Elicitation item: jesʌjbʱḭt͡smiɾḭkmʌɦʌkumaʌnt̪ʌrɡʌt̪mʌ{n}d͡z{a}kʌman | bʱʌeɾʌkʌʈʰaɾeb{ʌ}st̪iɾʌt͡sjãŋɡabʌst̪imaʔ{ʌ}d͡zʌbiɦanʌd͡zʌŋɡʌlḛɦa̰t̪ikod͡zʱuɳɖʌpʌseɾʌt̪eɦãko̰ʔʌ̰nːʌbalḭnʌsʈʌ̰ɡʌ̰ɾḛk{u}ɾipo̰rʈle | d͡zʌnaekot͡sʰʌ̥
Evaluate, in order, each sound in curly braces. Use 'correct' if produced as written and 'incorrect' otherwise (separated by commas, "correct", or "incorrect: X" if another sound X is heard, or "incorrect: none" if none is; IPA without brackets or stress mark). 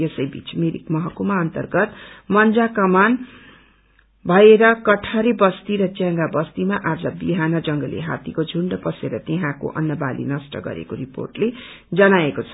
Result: correct, correct, correct, incorrect: a, incorrect: o